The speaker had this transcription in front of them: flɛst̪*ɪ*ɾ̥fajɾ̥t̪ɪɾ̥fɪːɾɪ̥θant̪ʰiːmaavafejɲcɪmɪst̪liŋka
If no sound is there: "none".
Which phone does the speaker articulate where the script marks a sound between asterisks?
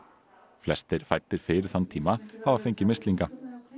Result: ɪ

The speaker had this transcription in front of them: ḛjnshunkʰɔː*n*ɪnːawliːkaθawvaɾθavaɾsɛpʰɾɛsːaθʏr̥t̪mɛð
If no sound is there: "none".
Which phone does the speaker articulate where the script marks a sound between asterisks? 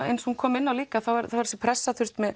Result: m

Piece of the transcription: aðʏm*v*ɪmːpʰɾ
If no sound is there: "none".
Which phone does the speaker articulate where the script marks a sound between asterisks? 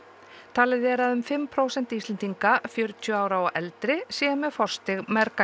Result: f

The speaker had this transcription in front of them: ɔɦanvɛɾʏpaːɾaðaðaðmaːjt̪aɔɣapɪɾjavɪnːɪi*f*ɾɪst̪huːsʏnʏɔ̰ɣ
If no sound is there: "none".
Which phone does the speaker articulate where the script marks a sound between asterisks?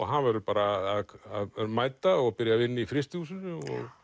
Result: f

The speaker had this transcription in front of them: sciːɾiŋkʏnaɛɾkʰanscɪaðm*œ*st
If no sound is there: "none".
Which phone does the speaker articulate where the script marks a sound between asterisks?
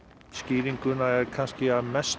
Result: ɛ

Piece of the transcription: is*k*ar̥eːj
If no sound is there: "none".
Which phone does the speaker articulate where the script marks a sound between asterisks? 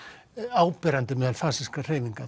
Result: k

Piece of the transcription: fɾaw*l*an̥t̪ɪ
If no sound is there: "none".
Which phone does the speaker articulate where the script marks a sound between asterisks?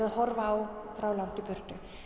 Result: l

